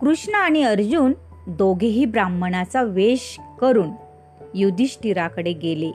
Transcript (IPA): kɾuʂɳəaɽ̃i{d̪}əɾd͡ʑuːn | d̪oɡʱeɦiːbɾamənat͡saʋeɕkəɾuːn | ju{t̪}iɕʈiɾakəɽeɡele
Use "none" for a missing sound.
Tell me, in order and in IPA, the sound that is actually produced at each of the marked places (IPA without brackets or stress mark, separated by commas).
none, d̪